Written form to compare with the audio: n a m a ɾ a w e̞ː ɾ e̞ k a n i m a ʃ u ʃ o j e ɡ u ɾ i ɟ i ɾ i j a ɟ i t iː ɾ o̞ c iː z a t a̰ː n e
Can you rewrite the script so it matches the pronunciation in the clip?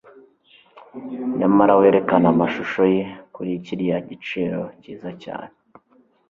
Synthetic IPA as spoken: ɲ a m a ɾ a w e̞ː ɾ e̞ k a n a m a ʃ u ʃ o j e k u ɾ i c i ɾ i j a ɟ i t͡ʃ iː ɾ o̞ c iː z a c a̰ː n e